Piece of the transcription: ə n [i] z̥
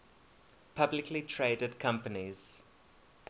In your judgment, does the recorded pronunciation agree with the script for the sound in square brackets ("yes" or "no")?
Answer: yes